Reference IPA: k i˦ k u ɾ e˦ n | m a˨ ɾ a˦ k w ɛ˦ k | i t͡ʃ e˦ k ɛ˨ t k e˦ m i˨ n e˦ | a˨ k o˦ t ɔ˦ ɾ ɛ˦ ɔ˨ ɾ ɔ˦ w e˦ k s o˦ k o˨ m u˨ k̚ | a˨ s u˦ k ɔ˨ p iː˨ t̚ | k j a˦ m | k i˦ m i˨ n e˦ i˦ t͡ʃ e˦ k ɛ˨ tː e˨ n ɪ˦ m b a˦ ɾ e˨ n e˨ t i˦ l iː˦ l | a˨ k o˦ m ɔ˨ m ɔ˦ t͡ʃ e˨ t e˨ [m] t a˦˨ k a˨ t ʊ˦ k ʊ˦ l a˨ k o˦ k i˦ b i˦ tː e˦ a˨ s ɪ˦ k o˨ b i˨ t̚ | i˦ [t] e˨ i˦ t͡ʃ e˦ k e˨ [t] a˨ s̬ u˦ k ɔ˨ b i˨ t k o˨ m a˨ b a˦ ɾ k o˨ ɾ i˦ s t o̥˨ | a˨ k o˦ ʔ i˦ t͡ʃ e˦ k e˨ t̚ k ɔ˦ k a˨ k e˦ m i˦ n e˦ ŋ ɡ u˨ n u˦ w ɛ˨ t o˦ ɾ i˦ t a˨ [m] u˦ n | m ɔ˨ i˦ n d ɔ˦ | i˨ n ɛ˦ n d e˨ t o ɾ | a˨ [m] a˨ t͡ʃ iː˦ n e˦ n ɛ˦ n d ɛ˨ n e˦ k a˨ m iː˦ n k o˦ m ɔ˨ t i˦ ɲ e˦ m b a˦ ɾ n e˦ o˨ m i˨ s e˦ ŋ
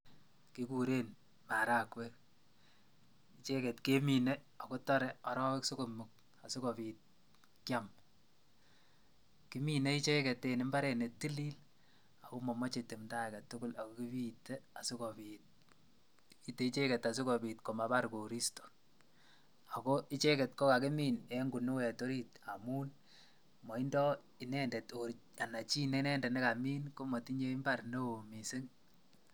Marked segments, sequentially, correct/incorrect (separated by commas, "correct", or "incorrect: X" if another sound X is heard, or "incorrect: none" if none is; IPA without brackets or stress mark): correct, correct, correct, correct, incorrect: n